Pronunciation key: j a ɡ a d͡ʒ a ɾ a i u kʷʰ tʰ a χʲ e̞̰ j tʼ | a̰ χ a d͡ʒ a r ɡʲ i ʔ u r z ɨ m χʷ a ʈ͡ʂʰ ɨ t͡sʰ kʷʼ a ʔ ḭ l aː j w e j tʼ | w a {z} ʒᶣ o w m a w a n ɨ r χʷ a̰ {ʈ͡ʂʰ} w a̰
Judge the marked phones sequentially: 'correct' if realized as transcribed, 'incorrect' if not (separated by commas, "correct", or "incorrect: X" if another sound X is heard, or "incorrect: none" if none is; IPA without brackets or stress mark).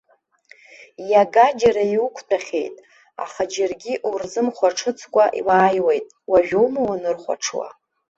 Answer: incorrect: none, correct